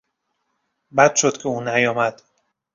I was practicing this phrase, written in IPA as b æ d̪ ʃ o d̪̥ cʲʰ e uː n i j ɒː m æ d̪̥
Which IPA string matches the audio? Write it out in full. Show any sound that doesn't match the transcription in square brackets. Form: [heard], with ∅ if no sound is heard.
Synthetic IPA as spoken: b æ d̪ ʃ o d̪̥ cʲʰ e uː n [æ] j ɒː m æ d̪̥